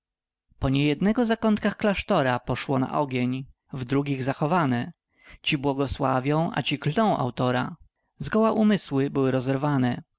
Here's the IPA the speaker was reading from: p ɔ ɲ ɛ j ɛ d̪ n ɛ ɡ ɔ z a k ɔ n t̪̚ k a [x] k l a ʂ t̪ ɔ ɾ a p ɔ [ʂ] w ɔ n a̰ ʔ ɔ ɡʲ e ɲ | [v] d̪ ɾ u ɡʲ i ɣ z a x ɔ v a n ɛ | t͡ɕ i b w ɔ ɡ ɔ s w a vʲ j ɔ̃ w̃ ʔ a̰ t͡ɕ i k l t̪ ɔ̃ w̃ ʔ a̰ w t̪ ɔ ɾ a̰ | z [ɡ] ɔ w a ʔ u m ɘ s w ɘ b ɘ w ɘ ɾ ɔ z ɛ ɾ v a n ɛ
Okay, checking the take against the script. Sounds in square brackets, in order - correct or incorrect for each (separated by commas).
correct, correct, correct, correct